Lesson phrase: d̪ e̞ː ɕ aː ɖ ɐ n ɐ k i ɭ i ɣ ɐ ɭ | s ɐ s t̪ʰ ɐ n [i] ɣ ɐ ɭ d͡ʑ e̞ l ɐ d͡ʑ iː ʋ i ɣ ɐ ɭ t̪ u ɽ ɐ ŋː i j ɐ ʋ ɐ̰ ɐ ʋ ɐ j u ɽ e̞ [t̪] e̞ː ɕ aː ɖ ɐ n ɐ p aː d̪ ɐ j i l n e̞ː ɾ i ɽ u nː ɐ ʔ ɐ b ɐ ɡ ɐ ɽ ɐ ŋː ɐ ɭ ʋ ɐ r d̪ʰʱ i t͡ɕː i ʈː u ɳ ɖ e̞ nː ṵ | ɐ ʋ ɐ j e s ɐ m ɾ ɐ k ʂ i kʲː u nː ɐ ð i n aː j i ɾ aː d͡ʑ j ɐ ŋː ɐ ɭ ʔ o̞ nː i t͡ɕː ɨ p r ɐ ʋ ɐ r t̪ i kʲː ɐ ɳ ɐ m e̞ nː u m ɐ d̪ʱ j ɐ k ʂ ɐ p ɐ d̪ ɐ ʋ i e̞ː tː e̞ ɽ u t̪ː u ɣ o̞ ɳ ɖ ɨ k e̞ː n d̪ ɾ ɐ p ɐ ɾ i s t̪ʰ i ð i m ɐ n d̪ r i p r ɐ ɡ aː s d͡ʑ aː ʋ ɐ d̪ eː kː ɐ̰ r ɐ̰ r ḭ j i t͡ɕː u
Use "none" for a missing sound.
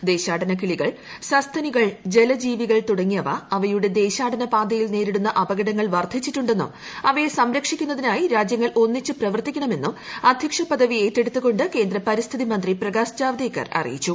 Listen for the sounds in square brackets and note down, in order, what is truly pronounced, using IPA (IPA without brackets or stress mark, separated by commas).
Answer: i, d̪